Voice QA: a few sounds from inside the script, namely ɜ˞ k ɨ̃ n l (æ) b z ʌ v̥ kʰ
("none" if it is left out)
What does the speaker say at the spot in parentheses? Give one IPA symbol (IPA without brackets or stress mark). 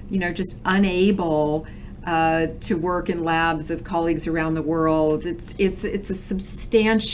æ